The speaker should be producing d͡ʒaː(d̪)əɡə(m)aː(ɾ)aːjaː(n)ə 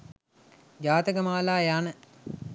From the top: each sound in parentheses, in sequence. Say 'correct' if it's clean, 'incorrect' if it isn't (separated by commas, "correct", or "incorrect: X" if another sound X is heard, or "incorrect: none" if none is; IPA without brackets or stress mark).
incorrect: t̪, correct, incorrect: l, correct